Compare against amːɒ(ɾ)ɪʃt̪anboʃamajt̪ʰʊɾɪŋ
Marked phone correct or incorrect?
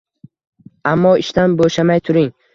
incorrect